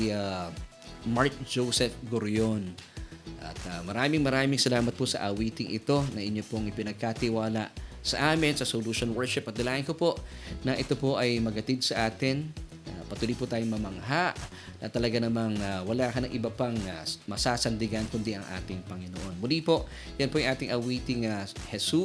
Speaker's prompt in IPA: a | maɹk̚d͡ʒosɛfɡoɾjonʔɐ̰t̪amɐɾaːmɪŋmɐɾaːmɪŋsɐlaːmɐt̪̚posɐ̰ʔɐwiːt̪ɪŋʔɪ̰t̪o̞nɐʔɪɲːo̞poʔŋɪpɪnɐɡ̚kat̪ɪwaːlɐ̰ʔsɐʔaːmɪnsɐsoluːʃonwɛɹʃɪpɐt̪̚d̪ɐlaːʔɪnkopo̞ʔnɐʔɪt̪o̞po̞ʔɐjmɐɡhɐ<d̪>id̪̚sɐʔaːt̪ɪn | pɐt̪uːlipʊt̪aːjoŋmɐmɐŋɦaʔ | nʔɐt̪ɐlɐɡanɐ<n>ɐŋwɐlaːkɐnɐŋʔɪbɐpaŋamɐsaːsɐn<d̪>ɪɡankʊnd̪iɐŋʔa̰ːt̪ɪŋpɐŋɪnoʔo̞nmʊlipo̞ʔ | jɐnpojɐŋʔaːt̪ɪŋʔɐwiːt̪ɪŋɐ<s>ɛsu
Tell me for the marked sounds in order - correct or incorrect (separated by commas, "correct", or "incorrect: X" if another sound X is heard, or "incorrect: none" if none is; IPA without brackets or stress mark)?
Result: incorrect: t̪, incorrect: m, correct, incorrect: h